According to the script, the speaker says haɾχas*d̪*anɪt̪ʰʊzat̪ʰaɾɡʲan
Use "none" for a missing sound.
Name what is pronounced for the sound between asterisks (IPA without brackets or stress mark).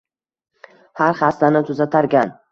t̪